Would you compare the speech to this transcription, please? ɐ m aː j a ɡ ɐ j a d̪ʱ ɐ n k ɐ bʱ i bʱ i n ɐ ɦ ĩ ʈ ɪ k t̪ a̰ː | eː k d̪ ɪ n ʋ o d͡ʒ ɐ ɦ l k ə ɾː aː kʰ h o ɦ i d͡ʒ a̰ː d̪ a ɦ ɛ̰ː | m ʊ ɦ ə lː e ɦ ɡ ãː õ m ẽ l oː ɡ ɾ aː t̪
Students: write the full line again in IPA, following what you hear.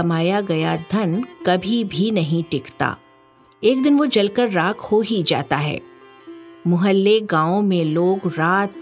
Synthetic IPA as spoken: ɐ m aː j a ɡ ɐ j a d̪ʱ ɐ n k ɐ bʱ i bʱ i n ɐ ɦ ĩ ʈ ɪ k t̪ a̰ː | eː k d̪ ɪ n ʋ o d͡ʒ ɐ l k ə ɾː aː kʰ h o ɦ i d͡ʒ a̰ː t̪ a ɦ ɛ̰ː | m ʊ ɦ ə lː e ɡ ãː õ m ẽ l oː ɡ ɾ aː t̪